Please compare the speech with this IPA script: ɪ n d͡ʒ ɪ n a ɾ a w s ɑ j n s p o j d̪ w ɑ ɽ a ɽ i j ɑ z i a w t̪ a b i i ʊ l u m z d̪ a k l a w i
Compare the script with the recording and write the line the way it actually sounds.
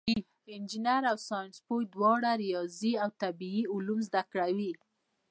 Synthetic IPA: ɪ n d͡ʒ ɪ n a ɾ a w s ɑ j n s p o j d̪ w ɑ ɽ a ɾ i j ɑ z i a w t̪ a b i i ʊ l u m z d̪ a k ɽ a w i